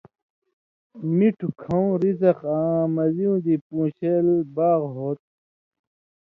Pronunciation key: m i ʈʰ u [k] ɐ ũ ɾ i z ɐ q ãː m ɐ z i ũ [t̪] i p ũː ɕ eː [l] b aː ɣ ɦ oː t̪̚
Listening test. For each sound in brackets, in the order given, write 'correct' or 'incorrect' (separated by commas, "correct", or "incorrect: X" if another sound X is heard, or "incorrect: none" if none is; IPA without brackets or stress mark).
incorrect: kʰ, incorrect: d̪, correct